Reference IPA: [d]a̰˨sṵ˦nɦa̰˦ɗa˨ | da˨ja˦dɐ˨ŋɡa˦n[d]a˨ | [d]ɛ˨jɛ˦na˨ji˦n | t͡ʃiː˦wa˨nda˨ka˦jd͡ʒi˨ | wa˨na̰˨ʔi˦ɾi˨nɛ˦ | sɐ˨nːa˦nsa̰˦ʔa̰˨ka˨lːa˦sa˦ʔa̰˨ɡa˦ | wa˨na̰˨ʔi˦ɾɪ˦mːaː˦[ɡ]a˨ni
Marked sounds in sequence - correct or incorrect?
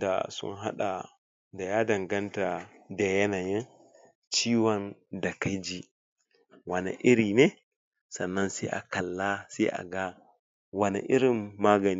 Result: correct, incorrect, correct, correct

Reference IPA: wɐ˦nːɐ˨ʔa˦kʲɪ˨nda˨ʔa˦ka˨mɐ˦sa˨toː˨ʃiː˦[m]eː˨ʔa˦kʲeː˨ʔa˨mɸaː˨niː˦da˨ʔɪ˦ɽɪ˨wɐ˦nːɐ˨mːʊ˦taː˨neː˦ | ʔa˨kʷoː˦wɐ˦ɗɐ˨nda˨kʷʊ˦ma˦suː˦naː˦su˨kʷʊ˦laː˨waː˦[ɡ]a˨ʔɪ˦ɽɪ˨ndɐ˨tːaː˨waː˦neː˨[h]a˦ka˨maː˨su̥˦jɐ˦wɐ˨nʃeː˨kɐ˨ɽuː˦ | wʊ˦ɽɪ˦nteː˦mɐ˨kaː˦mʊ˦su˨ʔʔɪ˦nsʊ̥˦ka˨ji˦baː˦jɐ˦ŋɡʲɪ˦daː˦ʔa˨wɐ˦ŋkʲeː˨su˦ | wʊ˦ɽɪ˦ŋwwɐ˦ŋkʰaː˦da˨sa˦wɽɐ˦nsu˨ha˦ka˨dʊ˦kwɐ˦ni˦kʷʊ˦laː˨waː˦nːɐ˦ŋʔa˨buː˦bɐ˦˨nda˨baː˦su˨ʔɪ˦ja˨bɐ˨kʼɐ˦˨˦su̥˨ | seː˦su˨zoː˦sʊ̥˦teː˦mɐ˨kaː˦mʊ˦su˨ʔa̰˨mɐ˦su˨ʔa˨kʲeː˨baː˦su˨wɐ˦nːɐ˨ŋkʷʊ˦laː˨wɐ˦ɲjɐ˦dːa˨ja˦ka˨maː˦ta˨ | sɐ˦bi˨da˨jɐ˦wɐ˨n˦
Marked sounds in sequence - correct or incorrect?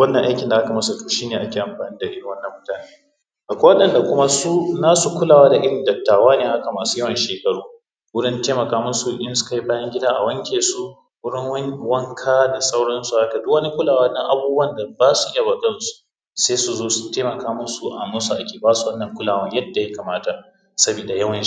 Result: incorrect, incorrect, correct

